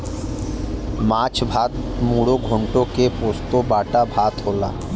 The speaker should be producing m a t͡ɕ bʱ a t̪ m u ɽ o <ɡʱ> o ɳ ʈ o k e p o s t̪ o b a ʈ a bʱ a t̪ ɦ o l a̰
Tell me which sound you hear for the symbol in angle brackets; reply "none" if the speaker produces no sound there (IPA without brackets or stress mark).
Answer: ɡʱ